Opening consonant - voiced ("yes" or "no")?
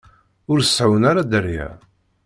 yes